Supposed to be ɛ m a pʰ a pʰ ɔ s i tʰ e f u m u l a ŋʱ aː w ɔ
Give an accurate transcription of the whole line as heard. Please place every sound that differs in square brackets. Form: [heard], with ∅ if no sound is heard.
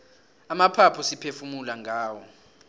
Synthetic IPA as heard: [a] m a pʰ a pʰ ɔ s i [pʰ] e f u m u l a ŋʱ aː w ɔ